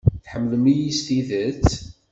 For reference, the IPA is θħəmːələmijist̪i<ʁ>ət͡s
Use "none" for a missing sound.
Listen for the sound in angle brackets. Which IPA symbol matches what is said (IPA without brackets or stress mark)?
ð